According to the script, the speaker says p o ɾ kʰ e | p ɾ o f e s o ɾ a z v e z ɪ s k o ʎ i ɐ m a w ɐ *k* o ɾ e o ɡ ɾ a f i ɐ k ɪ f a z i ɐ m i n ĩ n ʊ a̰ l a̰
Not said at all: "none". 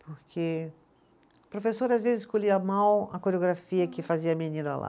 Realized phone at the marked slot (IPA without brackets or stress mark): k